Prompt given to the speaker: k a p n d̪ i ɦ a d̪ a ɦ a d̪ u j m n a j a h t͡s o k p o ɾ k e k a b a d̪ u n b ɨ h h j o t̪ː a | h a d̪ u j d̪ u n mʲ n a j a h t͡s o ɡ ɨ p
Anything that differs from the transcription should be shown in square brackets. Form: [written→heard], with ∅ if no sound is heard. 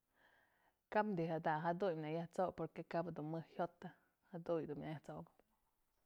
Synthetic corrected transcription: k a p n d̪ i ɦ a d̪ a ɦ a d̪ u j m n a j a h t͡s o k p o ɾ k e k a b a d̪ u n [b→m] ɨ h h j o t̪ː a | h a d̪ u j d̪ u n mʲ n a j a h t͡s o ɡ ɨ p